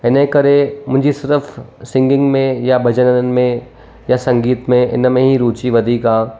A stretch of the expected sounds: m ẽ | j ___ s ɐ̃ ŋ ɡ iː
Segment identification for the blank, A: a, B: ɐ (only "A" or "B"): A